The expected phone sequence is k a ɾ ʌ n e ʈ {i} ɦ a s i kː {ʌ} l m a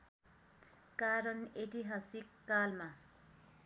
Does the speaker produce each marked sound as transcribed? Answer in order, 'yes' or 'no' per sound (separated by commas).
yes, no